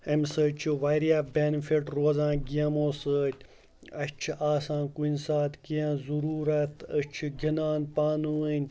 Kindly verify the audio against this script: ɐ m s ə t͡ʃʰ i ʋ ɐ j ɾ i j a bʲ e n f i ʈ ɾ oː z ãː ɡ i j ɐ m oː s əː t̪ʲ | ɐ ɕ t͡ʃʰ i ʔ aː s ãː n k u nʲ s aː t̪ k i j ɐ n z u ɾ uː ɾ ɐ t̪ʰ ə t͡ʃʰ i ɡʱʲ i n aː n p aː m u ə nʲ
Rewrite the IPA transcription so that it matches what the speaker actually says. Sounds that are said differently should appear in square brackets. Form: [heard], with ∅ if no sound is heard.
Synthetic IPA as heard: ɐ m s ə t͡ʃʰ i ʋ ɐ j ɾ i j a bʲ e n f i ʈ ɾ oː z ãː ɡ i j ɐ m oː s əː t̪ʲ | ɐ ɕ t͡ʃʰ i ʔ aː s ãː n k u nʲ s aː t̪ k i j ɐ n z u ɾ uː ɾ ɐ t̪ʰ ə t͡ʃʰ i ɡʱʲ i n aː n p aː [n] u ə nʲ